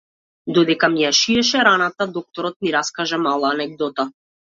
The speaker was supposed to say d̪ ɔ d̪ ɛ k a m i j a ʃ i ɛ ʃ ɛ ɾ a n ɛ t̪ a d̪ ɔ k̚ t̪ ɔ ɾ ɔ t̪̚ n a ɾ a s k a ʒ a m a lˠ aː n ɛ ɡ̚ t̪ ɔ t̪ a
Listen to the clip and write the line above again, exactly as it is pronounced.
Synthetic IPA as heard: d̪ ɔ d̪ ɛ k a m i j a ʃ i ɛ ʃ ɛ ɾ a n a t̪ a d̪ ɔ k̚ t̪ ɔ ɾ ɔ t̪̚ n i ɾ a s k a ʒ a m a lˠ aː n ɛ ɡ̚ d̪ ɔ t̪ a

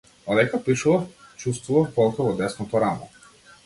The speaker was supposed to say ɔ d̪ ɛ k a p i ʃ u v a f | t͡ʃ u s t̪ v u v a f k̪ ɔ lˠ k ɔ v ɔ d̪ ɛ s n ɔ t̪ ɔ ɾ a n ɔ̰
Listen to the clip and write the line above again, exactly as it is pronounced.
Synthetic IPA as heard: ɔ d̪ ɛ k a p i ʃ u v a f | t͡ʃ u s t̪ v u v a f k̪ ɔ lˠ k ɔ v ɔ d̪ ɛ s n ɔ t̪ ɔ ɾ a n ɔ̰

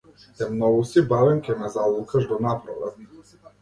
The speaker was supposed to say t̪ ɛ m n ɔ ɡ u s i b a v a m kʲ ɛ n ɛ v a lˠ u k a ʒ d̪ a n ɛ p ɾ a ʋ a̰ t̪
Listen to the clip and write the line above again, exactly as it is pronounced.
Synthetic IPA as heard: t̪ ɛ m n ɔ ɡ u s i b a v ɛ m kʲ ɛ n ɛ z a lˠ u k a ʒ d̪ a n a p ɾ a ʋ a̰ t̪

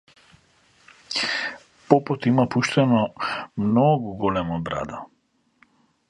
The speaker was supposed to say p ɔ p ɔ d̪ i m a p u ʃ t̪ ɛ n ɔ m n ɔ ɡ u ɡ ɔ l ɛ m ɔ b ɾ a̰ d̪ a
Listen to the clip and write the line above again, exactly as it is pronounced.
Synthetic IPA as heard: p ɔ p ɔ t̪ i m a p u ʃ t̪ ɛ n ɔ m n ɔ ɡ u ɡ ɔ l ɛ m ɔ b ɾ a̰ d̪ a

